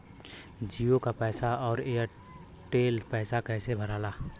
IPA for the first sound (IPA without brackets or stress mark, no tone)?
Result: d͡ʒ